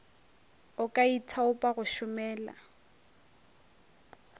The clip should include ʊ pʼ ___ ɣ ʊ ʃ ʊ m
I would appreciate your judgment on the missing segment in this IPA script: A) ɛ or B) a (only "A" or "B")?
B